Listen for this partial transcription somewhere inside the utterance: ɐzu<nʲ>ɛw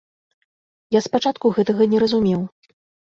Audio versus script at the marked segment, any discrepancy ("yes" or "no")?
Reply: yes